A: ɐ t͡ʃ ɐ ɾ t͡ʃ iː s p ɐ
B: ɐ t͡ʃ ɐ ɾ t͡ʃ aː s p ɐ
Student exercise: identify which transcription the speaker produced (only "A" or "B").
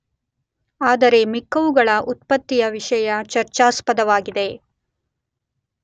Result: B